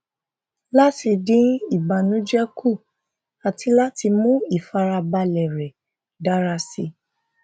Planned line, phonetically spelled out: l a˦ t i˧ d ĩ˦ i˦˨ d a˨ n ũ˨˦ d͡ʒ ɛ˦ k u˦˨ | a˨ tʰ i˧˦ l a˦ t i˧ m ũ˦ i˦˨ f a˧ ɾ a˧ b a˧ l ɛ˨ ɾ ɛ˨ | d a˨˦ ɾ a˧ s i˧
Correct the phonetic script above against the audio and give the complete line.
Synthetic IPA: l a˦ t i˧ d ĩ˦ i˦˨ b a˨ n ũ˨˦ d͡ʒ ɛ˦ k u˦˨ | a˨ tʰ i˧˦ l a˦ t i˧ m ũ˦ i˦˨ f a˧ ɾ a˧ b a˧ l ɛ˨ ɾ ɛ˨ | d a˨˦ ɾ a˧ s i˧